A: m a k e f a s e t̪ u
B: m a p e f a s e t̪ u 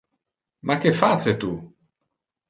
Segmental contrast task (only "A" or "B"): A